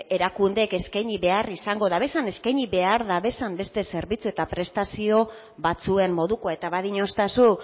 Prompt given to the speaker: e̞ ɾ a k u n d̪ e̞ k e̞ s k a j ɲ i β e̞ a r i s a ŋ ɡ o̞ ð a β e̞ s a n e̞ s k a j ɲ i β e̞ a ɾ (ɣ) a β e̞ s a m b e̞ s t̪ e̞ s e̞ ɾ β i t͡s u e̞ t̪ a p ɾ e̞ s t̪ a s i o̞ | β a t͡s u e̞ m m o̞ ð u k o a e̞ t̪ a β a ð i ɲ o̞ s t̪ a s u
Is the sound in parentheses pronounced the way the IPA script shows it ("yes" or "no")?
no